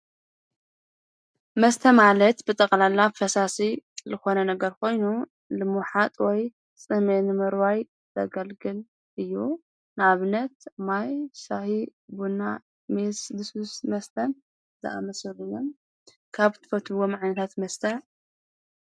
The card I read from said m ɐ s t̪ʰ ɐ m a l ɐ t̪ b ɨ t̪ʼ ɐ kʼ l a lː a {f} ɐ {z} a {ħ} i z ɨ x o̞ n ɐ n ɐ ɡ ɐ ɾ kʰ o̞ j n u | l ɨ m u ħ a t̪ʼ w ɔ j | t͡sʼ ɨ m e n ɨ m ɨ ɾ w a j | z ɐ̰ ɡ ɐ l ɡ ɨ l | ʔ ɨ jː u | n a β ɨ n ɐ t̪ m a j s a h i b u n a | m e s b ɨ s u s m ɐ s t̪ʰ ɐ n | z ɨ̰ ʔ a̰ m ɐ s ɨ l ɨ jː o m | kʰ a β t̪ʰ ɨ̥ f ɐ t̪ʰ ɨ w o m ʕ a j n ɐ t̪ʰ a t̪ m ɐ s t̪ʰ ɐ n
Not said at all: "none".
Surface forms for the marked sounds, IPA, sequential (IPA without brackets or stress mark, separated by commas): f, s, s